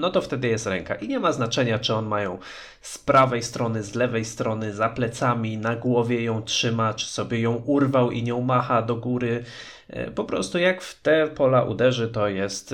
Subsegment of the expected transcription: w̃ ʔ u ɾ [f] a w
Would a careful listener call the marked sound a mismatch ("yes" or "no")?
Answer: yes